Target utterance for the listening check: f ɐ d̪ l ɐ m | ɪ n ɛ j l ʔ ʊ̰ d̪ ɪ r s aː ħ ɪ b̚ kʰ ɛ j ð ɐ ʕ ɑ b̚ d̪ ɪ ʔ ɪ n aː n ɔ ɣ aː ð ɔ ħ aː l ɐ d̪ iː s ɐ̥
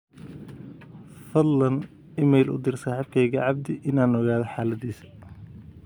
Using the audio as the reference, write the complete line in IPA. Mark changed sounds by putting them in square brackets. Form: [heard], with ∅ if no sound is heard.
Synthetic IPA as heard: f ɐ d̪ l ɐ [n] | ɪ [m] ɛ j l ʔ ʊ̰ d̪ ɪ r s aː ħ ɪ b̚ kʰ ɛ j [ɣ] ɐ ʕ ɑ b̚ d̪ ɪ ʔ ɪ n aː n ɔ ɣ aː ð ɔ ħ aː l ɐ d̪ iː s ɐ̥